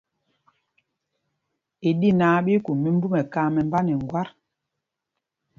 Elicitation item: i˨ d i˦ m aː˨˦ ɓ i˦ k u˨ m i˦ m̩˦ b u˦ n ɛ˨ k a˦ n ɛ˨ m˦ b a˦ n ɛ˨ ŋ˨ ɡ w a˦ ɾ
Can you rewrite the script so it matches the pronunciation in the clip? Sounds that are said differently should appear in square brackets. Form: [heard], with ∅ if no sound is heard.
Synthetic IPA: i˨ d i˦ [n] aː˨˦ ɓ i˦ k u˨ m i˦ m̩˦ b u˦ [m] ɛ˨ k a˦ [m] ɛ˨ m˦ b a˦ n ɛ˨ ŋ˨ ɡ w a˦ ɾ